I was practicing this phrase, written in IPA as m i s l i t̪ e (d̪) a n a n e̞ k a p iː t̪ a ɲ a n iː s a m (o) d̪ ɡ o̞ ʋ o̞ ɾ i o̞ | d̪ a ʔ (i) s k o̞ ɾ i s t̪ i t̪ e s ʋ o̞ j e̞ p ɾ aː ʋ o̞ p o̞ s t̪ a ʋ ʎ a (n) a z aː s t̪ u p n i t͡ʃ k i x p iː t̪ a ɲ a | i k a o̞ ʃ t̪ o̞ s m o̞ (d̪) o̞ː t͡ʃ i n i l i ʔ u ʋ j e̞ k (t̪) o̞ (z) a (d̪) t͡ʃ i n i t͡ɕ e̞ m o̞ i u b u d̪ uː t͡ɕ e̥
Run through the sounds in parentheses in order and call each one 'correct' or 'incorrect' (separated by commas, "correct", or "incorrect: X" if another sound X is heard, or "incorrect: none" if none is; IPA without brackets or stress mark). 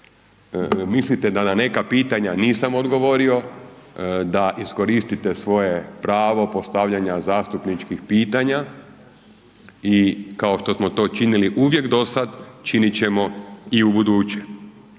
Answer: correct, correct, correct, incorrect: ɲ, incorrect: t̪, incorrect: d̪, incorrect: s, correct